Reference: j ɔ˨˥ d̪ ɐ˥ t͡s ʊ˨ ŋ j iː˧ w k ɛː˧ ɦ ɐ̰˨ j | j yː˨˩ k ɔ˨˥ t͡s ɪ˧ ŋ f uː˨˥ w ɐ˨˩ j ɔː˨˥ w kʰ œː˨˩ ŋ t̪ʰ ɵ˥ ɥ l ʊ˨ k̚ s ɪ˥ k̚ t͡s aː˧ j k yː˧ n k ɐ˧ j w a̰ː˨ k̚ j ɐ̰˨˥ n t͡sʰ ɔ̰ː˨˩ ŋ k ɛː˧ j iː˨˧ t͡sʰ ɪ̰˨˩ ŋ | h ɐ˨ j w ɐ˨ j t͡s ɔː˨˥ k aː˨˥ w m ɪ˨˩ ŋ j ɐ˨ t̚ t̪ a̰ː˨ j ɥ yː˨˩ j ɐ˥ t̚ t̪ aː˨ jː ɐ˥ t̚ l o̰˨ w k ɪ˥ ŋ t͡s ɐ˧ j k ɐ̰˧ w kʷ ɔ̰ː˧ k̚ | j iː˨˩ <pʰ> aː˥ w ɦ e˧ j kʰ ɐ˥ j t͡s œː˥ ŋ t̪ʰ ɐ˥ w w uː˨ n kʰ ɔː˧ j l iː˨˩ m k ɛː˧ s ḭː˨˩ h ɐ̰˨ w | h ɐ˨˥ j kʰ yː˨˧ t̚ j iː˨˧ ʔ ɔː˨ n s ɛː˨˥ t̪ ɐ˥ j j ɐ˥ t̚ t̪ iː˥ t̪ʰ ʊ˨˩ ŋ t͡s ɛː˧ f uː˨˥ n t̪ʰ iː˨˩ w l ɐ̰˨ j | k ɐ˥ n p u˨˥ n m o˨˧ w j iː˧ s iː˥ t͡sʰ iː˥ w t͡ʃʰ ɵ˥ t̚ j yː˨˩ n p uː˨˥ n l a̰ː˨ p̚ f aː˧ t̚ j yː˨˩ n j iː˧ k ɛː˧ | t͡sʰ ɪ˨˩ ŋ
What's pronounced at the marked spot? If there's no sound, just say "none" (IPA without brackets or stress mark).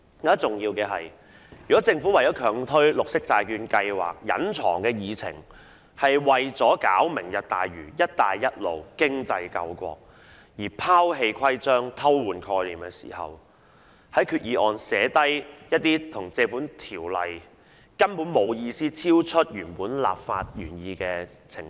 pʰ